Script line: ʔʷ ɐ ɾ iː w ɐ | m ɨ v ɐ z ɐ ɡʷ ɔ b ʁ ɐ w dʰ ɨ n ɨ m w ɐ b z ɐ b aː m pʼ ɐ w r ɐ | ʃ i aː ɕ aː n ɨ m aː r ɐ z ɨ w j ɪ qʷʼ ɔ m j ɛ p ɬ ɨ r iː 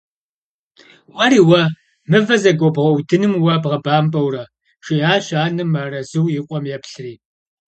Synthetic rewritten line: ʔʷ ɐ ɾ iː w ɐ | m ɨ v ɐ z ɐ ɡʷ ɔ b ʁ ɐ w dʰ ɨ n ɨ m w ɐ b ʁ ɐ b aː m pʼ ɐ w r ɐ | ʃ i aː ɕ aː n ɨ m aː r ɐ z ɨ w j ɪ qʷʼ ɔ m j ɛ p ɬ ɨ r iː